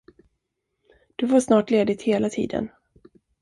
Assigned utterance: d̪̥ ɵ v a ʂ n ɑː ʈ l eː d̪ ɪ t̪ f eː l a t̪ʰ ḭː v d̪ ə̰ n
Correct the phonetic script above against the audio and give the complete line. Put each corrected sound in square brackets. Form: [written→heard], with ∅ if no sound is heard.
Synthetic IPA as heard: d̪̥ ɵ v a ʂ n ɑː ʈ l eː d̪ ɪ t̪ [f→h] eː l a t̪ʰ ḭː [v→∅] d̪ ə̰ n